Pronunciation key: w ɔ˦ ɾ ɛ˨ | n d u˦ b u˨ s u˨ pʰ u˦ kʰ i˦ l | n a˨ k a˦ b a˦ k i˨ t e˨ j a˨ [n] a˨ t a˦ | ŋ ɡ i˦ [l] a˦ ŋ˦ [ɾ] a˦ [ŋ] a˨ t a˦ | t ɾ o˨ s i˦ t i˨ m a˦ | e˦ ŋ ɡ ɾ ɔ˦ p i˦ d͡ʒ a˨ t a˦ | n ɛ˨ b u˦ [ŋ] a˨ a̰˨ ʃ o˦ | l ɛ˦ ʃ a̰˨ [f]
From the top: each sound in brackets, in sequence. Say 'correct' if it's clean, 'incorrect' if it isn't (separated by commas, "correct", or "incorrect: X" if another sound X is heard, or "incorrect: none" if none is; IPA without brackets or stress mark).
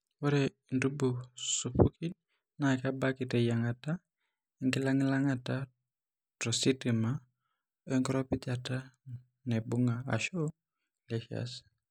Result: incorrect: ŋ, correct, incorrect: l, correct, correct, incorrect: s